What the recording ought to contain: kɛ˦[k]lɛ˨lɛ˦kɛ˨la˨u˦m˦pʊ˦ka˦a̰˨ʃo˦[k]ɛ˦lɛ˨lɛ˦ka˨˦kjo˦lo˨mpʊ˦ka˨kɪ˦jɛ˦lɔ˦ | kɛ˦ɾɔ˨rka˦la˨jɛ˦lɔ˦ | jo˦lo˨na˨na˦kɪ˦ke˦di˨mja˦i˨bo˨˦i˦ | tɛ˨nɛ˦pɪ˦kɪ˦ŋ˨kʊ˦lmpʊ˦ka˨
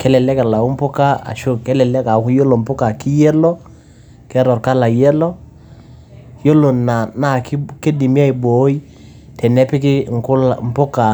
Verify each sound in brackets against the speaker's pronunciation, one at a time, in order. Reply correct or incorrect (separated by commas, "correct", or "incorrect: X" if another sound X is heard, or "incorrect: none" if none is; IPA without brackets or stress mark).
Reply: incorrect: none, correct